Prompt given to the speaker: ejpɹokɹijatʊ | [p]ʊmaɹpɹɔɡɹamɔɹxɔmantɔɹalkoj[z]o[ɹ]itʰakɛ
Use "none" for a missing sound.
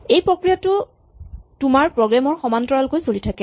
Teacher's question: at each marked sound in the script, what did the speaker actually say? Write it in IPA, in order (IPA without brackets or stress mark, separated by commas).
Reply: t, s, l